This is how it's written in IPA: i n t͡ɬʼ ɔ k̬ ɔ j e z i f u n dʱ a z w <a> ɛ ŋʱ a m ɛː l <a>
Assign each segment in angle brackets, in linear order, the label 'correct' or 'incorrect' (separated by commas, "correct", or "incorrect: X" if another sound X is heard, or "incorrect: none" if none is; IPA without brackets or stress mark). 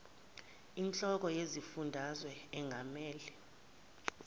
incorrect: ɛ, incorrect: ɛ